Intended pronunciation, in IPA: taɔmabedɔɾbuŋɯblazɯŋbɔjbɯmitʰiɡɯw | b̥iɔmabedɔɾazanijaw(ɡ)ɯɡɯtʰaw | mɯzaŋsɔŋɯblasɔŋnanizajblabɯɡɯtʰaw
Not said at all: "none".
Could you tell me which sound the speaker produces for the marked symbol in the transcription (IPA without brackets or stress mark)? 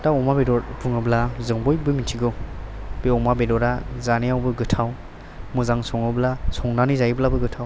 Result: b